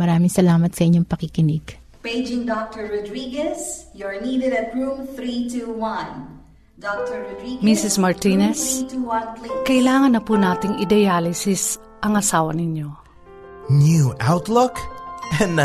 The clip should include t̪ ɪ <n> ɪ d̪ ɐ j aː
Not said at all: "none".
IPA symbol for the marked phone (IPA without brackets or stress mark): ŋ